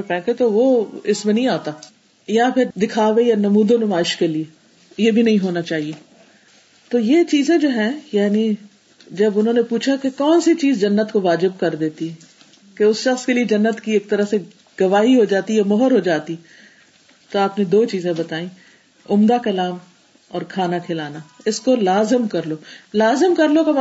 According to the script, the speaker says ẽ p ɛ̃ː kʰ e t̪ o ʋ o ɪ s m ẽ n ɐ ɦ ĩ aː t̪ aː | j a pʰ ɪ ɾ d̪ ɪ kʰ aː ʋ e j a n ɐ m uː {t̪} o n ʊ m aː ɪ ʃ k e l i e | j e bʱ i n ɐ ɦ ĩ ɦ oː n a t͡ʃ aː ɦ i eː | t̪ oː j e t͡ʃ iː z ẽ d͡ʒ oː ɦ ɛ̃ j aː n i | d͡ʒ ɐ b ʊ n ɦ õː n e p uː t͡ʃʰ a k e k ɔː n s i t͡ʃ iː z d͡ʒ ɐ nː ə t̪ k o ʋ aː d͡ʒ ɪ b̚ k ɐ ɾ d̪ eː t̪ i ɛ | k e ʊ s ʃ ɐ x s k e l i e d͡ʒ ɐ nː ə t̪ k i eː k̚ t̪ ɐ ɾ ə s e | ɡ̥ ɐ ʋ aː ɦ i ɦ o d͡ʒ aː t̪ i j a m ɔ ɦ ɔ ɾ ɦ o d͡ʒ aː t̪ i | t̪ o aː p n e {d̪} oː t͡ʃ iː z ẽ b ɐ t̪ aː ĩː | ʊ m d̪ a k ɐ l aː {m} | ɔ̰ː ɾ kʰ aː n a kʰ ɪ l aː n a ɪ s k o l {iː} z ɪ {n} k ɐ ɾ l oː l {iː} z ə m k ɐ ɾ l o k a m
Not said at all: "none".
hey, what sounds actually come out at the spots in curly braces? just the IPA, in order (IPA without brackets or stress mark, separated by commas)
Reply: d̪, d̪, m, aː, m, aː